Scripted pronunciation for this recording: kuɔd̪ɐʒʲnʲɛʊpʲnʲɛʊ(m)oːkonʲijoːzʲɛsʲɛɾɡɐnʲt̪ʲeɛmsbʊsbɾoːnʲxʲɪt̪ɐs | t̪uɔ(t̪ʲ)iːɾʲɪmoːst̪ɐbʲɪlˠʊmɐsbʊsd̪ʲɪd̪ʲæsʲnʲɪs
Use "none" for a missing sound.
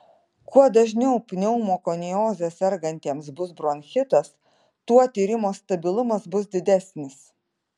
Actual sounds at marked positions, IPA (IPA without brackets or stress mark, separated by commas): m, t̪ʲ